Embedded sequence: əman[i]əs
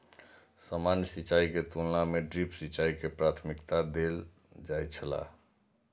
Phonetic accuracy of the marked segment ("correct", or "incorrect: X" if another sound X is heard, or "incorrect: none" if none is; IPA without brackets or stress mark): incorrect: j